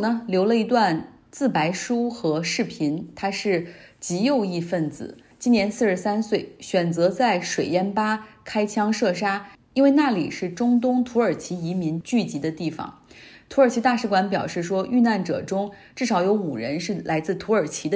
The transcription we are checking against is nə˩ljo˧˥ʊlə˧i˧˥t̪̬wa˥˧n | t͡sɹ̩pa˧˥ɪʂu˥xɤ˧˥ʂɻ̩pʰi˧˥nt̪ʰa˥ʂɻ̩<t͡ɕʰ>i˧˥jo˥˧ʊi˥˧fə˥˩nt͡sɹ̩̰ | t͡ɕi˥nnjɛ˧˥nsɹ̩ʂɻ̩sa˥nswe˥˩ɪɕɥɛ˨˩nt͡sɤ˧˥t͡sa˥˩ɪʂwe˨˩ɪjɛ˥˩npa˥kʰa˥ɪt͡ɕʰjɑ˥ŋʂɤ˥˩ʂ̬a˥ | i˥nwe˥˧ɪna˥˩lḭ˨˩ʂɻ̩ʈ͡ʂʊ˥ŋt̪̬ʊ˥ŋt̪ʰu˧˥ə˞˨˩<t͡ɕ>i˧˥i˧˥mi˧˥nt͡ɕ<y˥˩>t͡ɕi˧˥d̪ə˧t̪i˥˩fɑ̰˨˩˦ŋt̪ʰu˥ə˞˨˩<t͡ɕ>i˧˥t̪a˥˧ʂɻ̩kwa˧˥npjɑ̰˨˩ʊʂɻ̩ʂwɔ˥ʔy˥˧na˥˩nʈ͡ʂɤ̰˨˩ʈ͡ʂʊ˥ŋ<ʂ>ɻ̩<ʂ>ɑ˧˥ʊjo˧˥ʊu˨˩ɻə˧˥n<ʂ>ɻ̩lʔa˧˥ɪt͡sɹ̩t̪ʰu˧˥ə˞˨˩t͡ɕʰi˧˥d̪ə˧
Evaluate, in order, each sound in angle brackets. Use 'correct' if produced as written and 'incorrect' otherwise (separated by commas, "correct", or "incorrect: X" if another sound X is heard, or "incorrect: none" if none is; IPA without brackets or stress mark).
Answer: incorrect: t͡ɕ, incorrect: t͡ɕʰ, correct, incorrect: t͡ɕʰ, incorrect: ʈ͡ʂ, correct, correct